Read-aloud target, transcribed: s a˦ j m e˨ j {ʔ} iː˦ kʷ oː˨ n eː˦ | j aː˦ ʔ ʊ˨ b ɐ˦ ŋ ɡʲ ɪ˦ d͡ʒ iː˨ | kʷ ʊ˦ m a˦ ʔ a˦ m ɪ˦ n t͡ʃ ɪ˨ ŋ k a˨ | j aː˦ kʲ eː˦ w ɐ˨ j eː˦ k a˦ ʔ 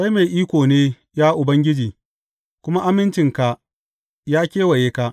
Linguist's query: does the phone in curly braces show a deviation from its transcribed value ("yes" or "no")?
no